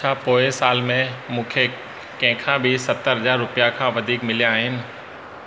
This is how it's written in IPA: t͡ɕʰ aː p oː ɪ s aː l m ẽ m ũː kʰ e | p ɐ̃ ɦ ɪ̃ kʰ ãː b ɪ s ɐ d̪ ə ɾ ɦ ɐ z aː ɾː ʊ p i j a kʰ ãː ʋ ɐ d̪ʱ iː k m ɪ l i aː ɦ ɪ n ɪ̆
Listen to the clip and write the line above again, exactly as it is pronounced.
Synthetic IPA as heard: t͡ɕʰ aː p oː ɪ s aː l m ẽ m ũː kʰ e | k ɐ̃ ɦ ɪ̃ kʰ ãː b ɪ s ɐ t̪ ə ɾ ɦ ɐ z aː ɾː ʊ p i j a kʰ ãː ʋ ɐ d̪ʱ iː k m ɪ l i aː ɦ ɪ n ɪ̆